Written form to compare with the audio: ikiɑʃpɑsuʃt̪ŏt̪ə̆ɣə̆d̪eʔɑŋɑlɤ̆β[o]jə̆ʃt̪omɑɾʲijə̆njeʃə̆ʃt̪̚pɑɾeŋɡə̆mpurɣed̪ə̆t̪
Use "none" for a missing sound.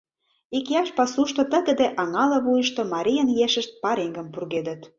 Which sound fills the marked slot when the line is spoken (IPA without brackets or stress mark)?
u